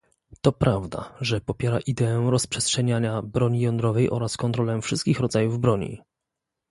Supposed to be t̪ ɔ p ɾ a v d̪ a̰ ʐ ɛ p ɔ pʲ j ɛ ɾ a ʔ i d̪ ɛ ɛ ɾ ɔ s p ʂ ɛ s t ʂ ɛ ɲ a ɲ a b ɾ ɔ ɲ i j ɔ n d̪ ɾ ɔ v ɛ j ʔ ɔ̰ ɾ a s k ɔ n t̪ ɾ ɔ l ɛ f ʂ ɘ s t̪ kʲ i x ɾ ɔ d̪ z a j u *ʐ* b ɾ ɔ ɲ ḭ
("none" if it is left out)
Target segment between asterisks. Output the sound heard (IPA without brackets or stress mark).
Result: v